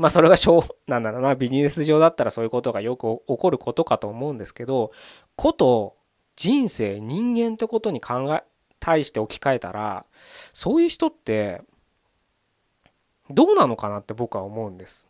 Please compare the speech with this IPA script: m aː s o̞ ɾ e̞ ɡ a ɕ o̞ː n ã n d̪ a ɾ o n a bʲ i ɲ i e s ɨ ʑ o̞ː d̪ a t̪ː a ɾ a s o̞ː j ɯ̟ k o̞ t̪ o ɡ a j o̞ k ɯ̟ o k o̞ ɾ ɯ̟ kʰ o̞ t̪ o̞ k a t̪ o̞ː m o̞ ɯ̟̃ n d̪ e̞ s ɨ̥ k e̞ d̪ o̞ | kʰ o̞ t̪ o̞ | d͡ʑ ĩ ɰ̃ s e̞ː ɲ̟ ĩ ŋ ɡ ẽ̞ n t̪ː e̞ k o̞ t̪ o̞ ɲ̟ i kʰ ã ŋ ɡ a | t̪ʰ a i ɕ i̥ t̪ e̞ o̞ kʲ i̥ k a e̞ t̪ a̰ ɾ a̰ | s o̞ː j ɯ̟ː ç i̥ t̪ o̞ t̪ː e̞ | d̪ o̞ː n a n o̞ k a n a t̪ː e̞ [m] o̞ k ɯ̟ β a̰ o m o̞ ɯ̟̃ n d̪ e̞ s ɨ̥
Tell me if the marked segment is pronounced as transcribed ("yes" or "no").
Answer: no